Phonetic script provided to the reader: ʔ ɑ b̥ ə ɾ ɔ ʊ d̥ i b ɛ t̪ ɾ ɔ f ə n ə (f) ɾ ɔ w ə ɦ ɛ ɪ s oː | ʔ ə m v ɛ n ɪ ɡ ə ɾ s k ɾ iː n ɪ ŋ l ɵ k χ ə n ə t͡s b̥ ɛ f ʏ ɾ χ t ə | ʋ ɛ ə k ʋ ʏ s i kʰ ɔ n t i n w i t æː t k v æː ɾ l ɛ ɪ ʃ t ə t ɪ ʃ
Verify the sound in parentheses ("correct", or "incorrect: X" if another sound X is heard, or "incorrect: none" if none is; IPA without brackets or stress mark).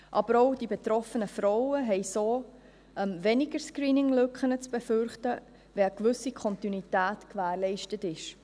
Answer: correct